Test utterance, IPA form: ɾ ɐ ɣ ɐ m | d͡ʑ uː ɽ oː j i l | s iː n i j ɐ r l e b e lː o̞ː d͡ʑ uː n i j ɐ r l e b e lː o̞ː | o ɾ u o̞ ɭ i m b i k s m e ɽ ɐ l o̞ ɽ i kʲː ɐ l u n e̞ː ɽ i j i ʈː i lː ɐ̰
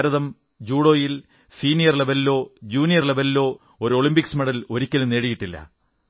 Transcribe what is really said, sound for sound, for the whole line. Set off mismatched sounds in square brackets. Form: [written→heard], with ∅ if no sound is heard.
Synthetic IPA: ɾ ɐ [ɣ→ð] ɐ m | d͡ʑ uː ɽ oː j i l | s iː n i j ɐ r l e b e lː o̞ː d͡ʑ uː n i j ɐ r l e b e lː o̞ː | o ɾ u o̞ ɭ i m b i k s m e ɽ ɐ l o̞ [ɽ→ɾ] i kʲː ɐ l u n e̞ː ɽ i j i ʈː i lː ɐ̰